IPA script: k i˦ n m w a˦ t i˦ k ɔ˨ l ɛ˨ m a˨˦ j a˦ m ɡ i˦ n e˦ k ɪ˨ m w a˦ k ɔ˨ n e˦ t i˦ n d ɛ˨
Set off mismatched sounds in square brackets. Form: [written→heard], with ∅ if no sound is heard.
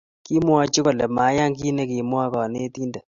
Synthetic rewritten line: k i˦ [n→∅] m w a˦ [t→t͡ʃ] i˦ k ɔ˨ l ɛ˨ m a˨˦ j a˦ [m→ŋ] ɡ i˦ n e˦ k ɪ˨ m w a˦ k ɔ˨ n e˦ t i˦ n d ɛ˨